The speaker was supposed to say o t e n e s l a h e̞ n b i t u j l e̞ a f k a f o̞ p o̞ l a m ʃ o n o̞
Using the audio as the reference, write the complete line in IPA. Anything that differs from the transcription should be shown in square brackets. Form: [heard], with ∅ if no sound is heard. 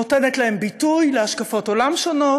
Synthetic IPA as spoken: o t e n e [t] l a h e̞ [m] b i t u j l e̞ a [ʃ] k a f o̞ [t] o̞ l a m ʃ o n o̞